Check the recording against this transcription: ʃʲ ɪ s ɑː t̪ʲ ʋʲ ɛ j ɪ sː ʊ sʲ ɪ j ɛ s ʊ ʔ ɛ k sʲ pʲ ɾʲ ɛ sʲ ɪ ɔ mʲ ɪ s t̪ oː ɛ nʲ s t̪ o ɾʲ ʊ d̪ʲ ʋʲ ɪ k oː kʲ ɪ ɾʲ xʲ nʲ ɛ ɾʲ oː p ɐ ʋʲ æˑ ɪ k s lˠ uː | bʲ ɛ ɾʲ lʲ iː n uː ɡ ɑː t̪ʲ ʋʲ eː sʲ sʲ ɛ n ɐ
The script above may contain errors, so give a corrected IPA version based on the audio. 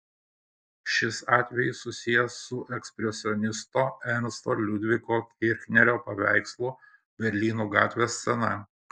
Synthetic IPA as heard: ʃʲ ɪ s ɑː t̪ʲ ʋʲ ɛ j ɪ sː ʊ sʲ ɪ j ɛ s ʊ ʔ ɛ k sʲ pʲ ɾʲ ɛ sʲ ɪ ɔ nʲ ɪ s t̪ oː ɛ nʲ s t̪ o lʲ ʊ d̪ʲ ʋʲ ɪ k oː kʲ ɪ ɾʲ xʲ nʲ ɛ ɾʲ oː p ɐ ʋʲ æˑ ɪ k s lˠ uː | bʲ ɛ ɾʲ lʲ iː n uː ɡ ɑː t̪ʲ ʋʲ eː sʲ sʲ ɛ n ɐ